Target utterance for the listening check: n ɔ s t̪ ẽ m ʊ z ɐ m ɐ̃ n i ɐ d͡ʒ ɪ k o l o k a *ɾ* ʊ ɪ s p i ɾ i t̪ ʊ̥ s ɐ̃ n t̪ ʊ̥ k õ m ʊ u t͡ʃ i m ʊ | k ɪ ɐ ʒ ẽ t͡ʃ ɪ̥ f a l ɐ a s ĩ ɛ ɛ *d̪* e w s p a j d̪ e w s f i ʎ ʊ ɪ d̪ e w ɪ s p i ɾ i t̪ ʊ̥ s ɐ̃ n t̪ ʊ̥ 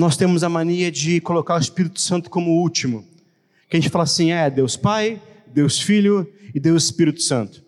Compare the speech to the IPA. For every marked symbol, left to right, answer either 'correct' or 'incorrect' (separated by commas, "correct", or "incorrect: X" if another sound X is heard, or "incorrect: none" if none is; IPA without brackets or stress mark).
correct, correct